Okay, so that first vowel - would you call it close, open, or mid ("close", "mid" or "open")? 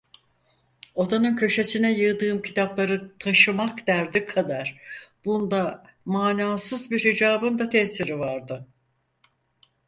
mid